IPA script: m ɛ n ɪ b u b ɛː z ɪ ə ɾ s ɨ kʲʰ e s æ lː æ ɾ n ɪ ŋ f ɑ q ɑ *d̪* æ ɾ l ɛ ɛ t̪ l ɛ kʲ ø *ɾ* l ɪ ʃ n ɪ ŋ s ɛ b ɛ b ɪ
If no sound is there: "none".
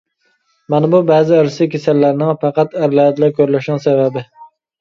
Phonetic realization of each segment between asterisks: t̪, ɾ

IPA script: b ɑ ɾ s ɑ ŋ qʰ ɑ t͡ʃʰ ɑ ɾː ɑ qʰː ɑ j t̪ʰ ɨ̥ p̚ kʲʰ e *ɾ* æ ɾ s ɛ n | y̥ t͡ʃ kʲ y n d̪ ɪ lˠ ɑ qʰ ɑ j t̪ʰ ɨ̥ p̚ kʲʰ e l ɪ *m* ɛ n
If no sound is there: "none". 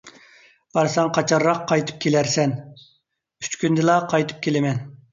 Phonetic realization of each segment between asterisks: l, m

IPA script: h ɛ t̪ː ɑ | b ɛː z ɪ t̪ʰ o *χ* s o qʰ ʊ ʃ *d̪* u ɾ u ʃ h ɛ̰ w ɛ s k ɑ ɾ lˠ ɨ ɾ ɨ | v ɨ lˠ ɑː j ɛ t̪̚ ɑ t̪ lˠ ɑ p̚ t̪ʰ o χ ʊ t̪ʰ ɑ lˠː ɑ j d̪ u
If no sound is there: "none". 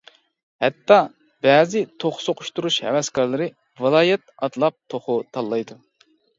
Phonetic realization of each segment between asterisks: χ, t̪

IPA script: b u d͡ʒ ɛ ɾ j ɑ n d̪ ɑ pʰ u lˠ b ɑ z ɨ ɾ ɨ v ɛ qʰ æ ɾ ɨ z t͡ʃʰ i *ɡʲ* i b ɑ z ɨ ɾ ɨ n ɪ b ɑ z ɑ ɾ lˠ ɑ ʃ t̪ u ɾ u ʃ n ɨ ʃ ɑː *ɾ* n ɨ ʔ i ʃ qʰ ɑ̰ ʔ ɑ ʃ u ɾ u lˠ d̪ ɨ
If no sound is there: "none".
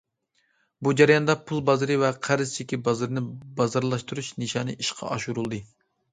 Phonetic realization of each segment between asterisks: kʲ, none

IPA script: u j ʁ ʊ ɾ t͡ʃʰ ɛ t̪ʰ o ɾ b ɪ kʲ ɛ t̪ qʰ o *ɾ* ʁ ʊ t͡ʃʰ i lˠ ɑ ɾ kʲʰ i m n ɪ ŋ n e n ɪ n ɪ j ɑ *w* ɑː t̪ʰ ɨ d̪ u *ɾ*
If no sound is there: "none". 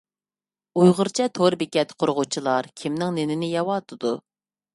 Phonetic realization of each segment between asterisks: ɾ, w, none

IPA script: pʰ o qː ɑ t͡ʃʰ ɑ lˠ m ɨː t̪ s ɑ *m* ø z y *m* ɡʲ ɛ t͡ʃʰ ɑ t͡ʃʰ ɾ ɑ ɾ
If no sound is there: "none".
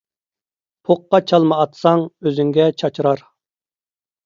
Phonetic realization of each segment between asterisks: ŋ, ŋ

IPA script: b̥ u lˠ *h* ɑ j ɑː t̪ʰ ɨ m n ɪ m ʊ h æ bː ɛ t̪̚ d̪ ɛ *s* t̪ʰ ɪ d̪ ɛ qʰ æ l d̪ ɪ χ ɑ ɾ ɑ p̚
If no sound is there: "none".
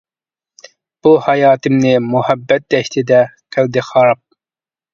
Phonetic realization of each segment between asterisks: h, ʃ

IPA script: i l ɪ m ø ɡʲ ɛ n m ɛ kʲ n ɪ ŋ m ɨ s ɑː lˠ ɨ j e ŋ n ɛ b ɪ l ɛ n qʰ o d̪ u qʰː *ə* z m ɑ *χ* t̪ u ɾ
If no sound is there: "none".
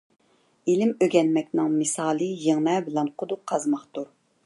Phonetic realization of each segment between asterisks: ɑ, χ

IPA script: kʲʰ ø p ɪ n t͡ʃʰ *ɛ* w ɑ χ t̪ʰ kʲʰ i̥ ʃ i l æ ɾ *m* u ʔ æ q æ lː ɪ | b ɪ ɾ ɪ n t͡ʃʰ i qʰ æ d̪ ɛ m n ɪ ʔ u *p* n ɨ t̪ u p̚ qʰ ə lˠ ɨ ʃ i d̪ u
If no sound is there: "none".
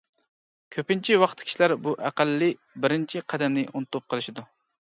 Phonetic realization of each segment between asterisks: i, b, none

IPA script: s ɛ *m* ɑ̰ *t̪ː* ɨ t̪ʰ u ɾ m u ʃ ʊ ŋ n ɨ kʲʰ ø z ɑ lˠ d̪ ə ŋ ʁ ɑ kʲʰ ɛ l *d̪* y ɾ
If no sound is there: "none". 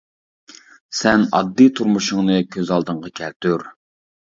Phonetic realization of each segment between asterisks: n, d̪ː, t̪

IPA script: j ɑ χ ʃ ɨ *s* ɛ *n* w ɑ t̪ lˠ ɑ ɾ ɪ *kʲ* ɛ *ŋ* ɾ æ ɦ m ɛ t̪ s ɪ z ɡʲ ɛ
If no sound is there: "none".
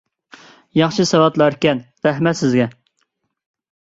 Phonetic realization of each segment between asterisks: s, none, kʲ, n

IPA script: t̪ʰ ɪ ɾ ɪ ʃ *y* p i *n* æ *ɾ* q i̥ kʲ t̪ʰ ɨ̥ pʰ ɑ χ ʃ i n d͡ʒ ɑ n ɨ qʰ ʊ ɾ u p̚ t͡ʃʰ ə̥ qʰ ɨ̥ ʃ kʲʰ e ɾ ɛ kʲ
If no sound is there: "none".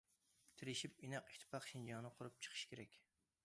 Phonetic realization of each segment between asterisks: i, n, none

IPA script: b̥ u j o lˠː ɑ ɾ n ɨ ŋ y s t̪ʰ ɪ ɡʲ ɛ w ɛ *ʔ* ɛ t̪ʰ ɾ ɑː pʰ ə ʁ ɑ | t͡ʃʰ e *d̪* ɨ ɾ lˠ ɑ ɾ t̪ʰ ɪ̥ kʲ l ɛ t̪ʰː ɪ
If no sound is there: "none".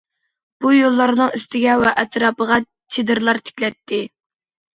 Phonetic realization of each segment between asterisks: ʔ, d̪

